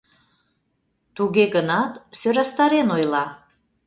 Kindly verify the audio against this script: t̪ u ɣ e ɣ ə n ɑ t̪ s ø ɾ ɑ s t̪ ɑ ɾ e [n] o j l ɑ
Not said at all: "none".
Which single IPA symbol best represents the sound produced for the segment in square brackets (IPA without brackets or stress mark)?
n